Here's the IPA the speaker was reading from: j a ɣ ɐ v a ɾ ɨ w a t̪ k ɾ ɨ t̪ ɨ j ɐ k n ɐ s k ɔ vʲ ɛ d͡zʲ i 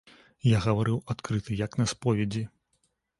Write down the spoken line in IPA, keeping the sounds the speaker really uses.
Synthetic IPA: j a ɣ ɐ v a ɾ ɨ w a t̪ k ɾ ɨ t̪ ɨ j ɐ k n ɐ s p ɔ vʲ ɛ d͡zʲ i